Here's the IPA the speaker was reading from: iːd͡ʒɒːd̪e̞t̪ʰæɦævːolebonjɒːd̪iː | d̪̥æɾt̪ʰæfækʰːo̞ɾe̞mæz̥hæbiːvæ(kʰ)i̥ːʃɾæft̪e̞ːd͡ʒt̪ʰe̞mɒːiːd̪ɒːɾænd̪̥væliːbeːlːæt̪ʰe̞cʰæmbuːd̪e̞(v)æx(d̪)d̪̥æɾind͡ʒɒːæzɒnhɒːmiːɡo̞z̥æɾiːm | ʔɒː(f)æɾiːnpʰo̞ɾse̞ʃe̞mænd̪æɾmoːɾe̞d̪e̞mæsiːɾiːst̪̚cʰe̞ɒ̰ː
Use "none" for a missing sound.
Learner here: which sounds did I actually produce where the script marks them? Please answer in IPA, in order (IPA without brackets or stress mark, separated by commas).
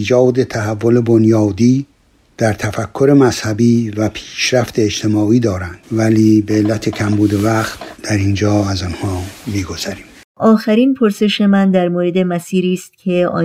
pʰ, v, t̪, x